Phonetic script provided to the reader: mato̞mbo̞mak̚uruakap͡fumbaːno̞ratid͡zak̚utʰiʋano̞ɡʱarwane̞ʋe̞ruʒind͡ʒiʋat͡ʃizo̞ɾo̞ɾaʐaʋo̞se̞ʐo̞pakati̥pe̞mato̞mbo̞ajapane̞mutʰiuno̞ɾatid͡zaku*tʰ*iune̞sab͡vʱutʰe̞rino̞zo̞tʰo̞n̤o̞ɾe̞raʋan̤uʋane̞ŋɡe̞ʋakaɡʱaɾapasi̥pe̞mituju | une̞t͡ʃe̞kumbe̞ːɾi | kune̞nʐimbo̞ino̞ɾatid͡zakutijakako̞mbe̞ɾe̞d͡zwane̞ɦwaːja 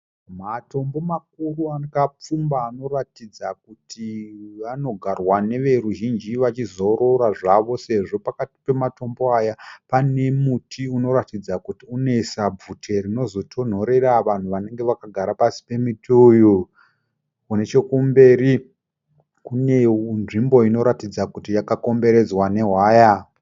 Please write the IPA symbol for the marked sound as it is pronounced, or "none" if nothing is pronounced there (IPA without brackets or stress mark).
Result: t